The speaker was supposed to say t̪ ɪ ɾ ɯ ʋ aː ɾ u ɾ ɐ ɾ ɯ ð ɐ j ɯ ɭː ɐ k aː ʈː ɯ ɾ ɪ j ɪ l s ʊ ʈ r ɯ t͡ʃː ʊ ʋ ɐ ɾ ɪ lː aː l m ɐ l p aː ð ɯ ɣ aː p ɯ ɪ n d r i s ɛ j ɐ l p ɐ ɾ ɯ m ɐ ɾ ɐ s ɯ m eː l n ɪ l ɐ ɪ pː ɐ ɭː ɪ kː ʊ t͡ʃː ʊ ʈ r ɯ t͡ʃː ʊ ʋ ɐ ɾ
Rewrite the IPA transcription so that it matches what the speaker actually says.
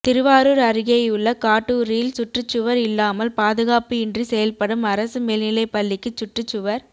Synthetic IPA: t̪ ɪ ɾ ɯ ʋ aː ɾ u ɾ ɐ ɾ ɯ ɣ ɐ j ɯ ɭː ɐ k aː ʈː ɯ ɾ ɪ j ɪ l s ʊ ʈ r ɯ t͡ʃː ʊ ʋ ɐ ɾ ɪ lː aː m ɐ l p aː ð ɯ ɣ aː p ɯ ɪ n d r i s ɛ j ɐ l p ɐ ɽ ɯ m ɐ ɾ ɐ s ɯ m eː l n ɪ l ɐ ɪ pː ɐ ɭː ɪ kː ɯ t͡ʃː ʊ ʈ r ɯ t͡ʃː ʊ ʋ ɐ ɾ

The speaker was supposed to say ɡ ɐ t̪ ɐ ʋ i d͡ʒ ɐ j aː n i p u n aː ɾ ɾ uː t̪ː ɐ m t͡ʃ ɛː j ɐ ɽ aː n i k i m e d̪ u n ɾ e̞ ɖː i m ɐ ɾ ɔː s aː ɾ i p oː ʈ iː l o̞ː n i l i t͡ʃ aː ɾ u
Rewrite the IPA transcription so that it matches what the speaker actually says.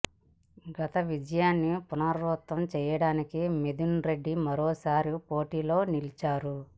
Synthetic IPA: ɡ ɐ t̪ ɐ ʋ i d͡ʒ ɐ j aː nː i p u n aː ɾ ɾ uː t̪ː ɐ m t͡ʃ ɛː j ɐ ɽ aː n i k i m e d̪ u n ɾ e̞ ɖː i m ɐ ɾ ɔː s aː ɾ i p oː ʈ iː l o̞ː n i l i t͡ʃ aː ɾ u

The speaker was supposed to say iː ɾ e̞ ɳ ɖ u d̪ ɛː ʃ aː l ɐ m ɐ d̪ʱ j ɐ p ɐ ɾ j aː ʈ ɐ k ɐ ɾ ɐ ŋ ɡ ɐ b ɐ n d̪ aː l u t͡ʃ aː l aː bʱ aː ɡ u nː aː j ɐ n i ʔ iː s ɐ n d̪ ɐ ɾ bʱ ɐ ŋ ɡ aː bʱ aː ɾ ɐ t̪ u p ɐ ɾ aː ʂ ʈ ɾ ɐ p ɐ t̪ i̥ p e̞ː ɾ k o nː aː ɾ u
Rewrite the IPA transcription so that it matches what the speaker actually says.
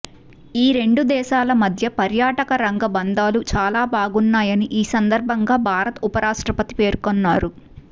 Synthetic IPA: iː ɾ e̞ ɳ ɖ u d̪ ɛː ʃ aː l ɐ m ɐ d̪ʱ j ɐ p ɐ ɾ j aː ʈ ɐ k ɐ ɾ ɐ ŋ ɡ ɐ b ɐ n d̪ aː l u t͡ʃ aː l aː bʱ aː ɡ u nː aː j ɐ n i ʔ iː s ɐ n d̪ ɐ ɾ bʱ ɐ ŋ ɡ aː bʱ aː ɾ ɐ t̪ u p ɐ ɾ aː ʂ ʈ ɾ ɐ p ɐ t̪ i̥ p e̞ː ɾ k o nː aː ɾ u

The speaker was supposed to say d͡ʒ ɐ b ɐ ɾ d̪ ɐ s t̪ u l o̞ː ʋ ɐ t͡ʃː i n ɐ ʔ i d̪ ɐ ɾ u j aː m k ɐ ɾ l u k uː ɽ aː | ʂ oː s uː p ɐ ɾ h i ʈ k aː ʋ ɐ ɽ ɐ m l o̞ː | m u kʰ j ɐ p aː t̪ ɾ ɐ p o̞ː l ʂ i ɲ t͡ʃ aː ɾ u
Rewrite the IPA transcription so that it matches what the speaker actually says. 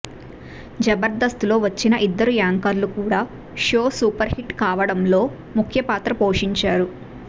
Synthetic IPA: d͡ʒ ɐ b ɐ ɾ d̪ ɐ s t̪ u l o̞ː ʋ ɐ t͡ʃː i n ɐ ʔ i d̪ː ɐ ɾ u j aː ŋ k ɐ ɾ l u k uː ɽ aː | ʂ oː s uː p ɐ ɾ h i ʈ k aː ʋ ɐ ɽ ɐ m l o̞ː | m u kʰ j ɐ p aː t̪ ɾ ɐ p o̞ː ʂ i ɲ t͡ʃ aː ɾ u

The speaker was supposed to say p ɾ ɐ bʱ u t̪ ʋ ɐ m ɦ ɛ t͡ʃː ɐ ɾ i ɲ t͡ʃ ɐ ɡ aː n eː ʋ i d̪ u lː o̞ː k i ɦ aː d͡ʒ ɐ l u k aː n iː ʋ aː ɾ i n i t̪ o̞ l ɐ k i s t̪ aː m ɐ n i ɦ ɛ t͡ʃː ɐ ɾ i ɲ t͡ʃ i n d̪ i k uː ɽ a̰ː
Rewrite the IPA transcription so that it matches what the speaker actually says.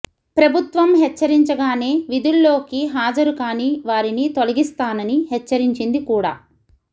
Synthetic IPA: p ɾ ɐ bʱ u t̪ ʋ ɐ m ɦ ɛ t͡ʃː ɐ ɾ i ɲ t͡ʃ ɐ ɡ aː n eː ʋ i d̪ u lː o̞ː k i ɦ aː d͡ʒ ɐ ɾ u k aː n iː ʋ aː ɾ i n i t̪ o̞ l ɐ ɡ i s t̪ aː n ɐ n i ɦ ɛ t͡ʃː ɐ ɾ i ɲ t͡ʃ i n d̪ i k uː ɽ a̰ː

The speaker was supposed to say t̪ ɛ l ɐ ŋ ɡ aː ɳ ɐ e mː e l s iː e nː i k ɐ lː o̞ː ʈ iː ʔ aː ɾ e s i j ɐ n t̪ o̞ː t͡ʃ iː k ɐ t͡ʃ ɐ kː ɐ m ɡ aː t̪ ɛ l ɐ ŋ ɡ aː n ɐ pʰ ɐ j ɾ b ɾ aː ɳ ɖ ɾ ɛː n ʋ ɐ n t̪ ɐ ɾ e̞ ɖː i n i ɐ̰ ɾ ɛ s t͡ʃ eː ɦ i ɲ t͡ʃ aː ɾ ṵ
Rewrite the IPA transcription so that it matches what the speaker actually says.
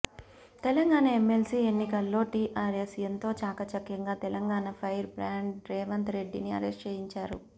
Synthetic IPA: t̪ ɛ l ɐ ŋ ɡ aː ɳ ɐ e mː e l s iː e nː i k ɐ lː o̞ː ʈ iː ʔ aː ɾ e s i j ɐ n t̪ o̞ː t͡ʃ aː k ɐ t͡ʃ ɐ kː ɐ ŋ ɡ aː t̪ ɛ l ɐ ŋ ɡ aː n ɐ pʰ ɐ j ɾ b ɾ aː ɳ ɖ ɾ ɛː ʋ ɐ n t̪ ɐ ɾ e̞ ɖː i n i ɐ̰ ɾ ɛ s t͡ʃ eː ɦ i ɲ t͡ʃ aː ɾ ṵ

